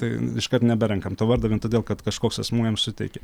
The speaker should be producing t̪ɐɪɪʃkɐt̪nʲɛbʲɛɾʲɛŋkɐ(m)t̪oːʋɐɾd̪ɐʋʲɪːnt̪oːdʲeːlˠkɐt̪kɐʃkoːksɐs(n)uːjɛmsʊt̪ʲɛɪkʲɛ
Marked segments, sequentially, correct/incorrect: correct, incorrect: m

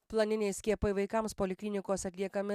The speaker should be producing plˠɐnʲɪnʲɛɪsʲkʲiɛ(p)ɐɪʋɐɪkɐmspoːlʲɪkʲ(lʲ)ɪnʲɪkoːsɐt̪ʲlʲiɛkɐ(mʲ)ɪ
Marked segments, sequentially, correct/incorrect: correct, correct, correct

